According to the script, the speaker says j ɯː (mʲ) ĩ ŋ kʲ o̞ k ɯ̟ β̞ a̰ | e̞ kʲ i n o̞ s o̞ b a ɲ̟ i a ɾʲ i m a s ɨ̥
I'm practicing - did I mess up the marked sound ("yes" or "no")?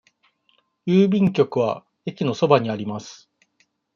yes